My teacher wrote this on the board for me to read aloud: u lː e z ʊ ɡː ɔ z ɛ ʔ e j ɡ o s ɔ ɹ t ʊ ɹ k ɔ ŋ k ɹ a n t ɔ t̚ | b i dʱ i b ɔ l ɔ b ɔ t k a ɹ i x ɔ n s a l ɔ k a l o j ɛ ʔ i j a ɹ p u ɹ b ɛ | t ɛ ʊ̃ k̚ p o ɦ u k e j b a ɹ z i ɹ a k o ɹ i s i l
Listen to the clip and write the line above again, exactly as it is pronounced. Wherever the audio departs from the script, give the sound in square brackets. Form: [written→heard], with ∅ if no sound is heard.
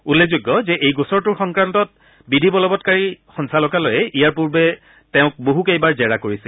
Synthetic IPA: u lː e z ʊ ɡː ɔ z ɛ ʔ e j ɡ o s ɔ ɹ t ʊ ɹ [k→x] ɔ ŋ k ɹ a n t ɔ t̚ | b i dʱ i b ɔ l ɔ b ɔ t k a ɹ i x ɔ n s a l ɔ k a l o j ɛ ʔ i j a ɹ p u ɹ b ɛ | t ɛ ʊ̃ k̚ [p→b] o ɦ u k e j b a ɹ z [i→ɛ] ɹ a k o ɹ i s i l